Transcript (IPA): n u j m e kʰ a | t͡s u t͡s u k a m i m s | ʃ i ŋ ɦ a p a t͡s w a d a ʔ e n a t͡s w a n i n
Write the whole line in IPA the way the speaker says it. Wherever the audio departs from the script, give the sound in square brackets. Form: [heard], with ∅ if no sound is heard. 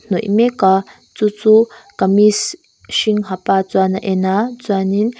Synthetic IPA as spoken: n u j m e [k] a | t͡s u t͡s u k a m i [∅] s | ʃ i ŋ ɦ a p a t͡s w a [n] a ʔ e n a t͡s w a n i n

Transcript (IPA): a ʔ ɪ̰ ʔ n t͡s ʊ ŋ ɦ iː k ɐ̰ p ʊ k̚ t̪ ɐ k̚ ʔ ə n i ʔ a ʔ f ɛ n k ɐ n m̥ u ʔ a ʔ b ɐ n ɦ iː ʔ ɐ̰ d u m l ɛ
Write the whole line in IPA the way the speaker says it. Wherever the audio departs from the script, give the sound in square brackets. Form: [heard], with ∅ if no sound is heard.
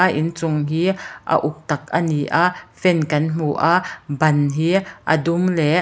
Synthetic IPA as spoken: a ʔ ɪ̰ [∅] n t͡s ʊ ŋ ɦ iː [ʔ] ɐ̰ [ʔ] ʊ k̚ t̪ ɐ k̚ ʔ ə n i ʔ a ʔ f ɛ n k ɐ n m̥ u ʔ a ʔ b ɐ n ɦ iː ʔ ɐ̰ d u m l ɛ

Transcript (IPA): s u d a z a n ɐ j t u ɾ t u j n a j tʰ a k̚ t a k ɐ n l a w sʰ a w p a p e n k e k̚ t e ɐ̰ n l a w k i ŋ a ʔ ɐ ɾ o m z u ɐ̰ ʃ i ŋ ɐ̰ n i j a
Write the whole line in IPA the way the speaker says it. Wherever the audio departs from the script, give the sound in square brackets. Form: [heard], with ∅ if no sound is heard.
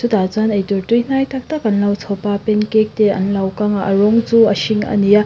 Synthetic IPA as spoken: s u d a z a n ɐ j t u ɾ t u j n a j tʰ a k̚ t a k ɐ n l a w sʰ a w p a p e n k e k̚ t e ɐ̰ n l a w k [a] ŋ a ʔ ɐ ɾ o [ŋ] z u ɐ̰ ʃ i ŋ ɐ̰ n i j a

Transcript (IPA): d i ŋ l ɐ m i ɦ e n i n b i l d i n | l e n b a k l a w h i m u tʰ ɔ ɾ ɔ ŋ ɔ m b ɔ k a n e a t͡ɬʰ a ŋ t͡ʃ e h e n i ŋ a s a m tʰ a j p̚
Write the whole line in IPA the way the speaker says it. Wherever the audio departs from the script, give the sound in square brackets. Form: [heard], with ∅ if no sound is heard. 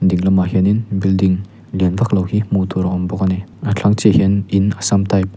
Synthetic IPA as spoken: d i ŋ l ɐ m [a] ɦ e n i n b i l d i [ŋ] | l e n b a k l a w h i m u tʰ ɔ ɾ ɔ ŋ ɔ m b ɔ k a n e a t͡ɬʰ a ŋ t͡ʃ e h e n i [n] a s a m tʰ a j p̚

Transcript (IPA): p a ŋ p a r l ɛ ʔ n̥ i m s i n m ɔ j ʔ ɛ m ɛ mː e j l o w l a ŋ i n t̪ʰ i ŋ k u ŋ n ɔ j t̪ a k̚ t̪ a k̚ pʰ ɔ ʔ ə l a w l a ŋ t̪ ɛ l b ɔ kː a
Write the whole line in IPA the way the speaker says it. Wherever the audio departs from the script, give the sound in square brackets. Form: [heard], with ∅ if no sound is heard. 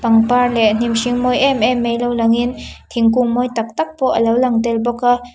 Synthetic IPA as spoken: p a ŋ p a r l ɛ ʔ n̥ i m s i [ŋ] m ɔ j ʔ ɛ m ɛ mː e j l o w l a ŋ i n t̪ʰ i ŋ k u ŋ [m] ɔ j t̪ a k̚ t̪ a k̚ [p] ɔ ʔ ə l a w l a ŋ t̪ ɛ l b ɔ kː a

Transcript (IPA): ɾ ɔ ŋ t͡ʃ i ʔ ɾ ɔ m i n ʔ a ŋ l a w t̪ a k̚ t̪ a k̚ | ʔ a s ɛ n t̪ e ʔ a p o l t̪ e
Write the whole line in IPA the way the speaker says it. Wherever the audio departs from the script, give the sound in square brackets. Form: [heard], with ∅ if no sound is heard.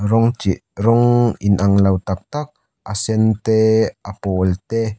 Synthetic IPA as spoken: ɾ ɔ ŋ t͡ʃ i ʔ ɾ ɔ [ŋ] i n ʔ a ŋ l a w t̪ a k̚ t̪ a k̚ | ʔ a s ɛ n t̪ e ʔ a p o l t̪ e

